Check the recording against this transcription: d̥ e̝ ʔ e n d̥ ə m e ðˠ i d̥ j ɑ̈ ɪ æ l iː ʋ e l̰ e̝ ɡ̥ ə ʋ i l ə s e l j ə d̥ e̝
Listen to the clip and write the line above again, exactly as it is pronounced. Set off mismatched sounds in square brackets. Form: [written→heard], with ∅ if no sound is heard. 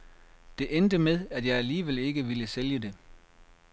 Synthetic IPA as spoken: d̥ e̝ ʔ e n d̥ ə m e ðˠ [i→æ] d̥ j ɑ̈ ɪ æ l iː ʋ e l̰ e̝ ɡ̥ ə ʋ i l ə s e l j ə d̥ e̝